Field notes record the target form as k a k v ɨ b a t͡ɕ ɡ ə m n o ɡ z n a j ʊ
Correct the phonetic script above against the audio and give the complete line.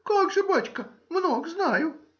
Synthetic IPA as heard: k a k ʐ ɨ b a t͡ɕ k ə m n o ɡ z n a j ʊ